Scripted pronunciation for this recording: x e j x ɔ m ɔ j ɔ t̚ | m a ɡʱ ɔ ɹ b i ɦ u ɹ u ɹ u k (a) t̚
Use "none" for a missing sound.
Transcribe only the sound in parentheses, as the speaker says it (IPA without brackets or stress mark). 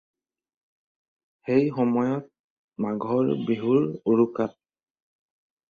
a